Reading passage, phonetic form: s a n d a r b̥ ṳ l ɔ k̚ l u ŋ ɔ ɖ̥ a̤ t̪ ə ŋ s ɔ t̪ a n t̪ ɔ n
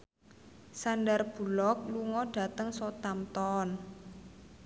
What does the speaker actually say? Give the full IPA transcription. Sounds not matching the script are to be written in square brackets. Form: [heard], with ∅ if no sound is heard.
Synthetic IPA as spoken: s a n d a r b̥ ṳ l ɔ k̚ l u ŋ ɔ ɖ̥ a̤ t̪ ə ŋ s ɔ t̪ a [m] t̪ ɔ n

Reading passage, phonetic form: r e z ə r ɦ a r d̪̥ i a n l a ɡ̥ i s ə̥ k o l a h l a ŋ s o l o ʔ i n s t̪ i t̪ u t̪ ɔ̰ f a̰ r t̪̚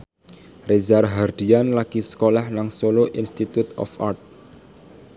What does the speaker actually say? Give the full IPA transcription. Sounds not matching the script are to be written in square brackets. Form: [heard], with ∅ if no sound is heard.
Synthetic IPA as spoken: r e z [a] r ɦ a r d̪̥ i a n l a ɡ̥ i s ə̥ k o l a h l a ŋ s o l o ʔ i n s t̪ i t̪ u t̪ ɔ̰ f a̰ r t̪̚

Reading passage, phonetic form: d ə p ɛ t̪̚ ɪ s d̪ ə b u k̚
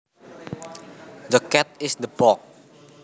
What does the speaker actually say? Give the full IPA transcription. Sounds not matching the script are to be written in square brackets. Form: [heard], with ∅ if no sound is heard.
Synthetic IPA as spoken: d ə [k] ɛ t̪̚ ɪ s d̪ ə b [ɔ] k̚

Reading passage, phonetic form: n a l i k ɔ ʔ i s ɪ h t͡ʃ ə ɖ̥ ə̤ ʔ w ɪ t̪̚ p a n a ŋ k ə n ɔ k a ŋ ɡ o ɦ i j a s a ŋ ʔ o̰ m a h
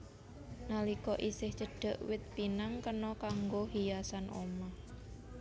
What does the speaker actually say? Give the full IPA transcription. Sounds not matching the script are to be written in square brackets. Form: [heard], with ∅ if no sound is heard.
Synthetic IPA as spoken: n a l i k ɔ ʔ i s ɪ h t͡ʃ ə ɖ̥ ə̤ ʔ w ɪ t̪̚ p [i] n a ŋ k ə n ɔ k a ŋ ɡ o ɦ i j a s a [n] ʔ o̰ m a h

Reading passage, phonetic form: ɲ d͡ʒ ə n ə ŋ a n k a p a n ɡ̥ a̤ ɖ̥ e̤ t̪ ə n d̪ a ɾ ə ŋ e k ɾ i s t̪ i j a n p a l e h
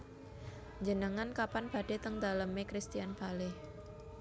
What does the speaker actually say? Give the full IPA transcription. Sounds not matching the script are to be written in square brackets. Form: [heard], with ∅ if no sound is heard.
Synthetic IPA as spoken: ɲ d͡ʒ ə n ə ŋ a n k a p a n [b̥] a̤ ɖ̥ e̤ t̪ ə [ŋ] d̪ a [l] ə [m] e k ɾ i s t̪ i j a n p a l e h

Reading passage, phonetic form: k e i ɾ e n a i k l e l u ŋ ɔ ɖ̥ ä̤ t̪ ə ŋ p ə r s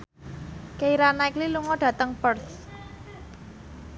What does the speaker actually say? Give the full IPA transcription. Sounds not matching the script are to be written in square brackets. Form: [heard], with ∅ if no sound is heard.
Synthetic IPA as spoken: k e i ɾ [a] n a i k l [i] l u ŋ ɔ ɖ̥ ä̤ t̪ ə ŋ p ə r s

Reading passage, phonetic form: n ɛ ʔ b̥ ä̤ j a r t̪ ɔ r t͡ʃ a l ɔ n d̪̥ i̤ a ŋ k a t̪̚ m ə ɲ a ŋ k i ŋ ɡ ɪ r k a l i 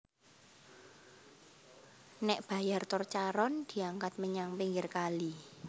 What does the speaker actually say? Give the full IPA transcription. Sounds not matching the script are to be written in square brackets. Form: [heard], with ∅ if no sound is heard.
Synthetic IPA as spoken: n ɛ ʔ b̥ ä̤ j a r t̪ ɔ r t͡ʃ a [ɾ] ɔ n d̪̥ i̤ a ŋ k a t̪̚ m ə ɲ a ŋ [p] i ŋ ɡ ɪ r k a l i

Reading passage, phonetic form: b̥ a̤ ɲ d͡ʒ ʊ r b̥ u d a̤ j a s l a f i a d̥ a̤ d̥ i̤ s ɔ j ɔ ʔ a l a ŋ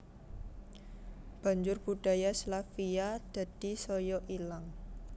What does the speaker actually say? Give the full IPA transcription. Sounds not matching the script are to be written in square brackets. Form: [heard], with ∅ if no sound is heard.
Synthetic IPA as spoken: b̥ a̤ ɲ d͡ʒ ʊ r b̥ u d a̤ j a s l a f i a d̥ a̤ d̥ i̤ s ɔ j ɔ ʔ [i] l a ŋ

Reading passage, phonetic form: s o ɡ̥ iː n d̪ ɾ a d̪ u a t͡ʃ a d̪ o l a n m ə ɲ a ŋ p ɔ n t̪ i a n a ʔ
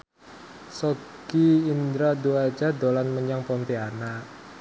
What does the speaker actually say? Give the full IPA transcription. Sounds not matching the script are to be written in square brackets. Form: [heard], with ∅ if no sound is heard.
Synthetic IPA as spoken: s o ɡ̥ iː n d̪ ɾ a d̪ u a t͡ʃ a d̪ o l a n m ə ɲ a ŋ p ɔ n t̪ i a n a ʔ

